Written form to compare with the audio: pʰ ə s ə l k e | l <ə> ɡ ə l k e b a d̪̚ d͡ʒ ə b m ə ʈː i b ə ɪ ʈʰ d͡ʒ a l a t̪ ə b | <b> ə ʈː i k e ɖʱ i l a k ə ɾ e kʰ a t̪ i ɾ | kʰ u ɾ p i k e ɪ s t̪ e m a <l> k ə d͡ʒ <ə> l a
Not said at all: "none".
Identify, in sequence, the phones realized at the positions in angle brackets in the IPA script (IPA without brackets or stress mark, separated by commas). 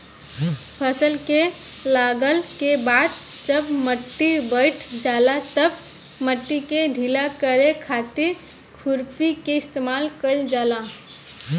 a, m, l, a